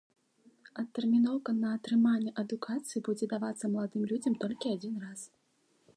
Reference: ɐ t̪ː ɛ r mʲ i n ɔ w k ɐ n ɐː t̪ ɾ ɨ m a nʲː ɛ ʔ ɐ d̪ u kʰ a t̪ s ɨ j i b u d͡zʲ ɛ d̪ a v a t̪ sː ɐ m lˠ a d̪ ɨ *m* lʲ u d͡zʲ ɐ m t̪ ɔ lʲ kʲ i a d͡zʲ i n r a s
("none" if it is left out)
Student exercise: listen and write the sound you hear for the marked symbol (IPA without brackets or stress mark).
m